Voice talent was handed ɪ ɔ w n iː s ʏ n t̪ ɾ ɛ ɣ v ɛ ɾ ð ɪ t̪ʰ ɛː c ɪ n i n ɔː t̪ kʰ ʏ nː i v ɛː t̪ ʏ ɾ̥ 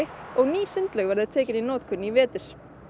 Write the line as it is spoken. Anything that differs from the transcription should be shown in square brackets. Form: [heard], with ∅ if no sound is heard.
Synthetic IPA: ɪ ɔ [ɣ] n iː s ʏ n t̪ [l] ɛ ɣ v ɛ ɾ ð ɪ t̪ʰ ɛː c ɪ n i n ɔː t̪ kʰ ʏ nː i v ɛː t̪ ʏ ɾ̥